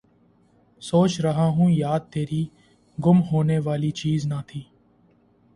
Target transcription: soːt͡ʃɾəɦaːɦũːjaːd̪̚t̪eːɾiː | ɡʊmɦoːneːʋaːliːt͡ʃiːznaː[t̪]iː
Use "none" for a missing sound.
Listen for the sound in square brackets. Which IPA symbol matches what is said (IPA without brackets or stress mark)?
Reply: t̪ʰ